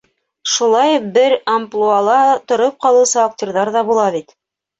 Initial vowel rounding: rounded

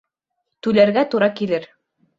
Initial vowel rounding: rounded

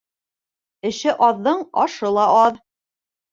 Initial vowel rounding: unrounded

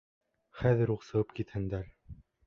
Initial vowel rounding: unrounded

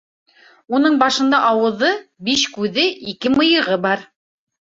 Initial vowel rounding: rounded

